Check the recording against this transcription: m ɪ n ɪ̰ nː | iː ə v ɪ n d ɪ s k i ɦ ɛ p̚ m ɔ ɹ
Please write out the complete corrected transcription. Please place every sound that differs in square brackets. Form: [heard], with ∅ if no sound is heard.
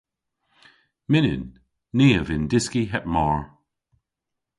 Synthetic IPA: m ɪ n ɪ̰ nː | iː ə v ɪ n d ɪ s k i ɦ ɛ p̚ m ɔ ɹ